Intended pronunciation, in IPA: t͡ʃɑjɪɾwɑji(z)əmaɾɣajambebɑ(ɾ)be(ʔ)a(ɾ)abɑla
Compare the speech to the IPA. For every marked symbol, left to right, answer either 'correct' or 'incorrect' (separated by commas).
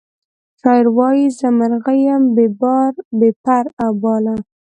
correct, correct, incorrect, correct